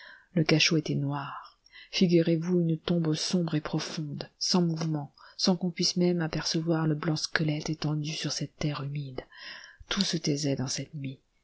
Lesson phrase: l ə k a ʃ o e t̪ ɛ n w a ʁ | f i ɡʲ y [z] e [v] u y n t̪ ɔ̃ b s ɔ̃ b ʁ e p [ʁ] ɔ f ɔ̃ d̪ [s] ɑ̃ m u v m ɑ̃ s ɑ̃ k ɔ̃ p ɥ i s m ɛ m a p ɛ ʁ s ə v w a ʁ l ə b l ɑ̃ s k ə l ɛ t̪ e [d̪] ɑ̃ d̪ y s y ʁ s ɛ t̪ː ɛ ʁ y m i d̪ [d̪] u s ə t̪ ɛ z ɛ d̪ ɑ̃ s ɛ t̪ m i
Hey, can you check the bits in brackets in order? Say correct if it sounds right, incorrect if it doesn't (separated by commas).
incorrect, correct, incorrect, correct, incorrect, incorrect